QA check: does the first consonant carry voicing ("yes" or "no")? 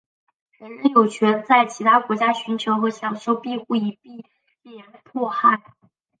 yes